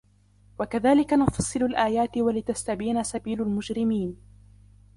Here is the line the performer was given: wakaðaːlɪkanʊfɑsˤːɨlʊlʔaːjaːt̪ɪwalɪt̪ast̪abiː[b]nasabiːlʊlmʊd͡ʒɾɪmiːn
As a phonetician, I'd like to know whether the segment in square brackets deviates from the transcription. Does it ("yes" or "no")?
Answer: yes